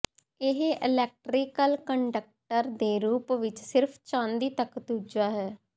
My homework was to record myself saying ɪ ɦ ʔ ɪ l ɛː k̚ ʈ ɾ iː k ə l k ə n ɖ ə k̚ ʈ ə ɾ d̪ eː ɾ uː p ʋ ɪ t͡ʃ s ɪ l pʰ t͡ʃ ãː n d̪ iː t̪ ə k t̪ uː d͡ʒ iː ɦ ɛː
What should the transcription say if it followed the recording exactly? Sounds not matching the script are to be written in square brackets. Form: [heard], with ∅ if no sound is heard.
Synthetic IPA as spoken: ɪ ɦ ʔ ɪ l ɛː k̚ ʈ ɾ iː k ə l k ə [ɳ] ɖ ə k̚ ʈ ə ɾ d̪ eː ɾ uː p ʋ ɪ t͡ʃ s ɪ [ɾ] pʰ t͡ʃ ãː n d̪ iː t̪ ə k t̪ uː d͡ʒ [aː] ɦ ɛː